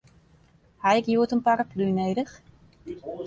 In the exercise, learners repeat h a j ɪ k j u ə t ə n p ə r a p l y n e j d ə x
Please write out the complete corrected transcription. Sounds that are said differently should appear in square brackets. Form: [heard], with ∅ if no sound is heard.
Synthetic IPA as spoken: h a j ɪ k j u ə t ə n p [a] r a p l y n e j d ə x